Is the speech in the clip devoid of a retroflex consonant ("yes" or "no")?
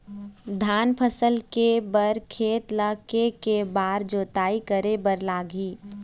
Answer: yes